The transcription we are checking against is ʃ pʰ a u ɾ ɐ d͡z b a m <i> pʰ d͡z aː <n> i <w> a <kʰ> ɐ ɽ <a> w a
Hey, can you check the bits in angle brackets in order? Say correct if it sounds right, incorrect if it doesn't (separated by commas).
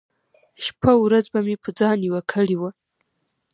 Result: correct, correct, correct, correct, incorrect